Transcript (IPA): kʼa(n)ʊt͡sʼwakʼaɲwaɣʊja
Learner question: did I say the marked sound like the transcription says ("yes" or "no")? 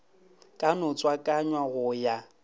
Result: yes